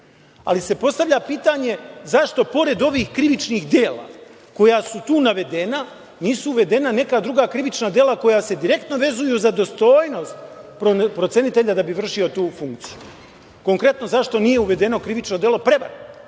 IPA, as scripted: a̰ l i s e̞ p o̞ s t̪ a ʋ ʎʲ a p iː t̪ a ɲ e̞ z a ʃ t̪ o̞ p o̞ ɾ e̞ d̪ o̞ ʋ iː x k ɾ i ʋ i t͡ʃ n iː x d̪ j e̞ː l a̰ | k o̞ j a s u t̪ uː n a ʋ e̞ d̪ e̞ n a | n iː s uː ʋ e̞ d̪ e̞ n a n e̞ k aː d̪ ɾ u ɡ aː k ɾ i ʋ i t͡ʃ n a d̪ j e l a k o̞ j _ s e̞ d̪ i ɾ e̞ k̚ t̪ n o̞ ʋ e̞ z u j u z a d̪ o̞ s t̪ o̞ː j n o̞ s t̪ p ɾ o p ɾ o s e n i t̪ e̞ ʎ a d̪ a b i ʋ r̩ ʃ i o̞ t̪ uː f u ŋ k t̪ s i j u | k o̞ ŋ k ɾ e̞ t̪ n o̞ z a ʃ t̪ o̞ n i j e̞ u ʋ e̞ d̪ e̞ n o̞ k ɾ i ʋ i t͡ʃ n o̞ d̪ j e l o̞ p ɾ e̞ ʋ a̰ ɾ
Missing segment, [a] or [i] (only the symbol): a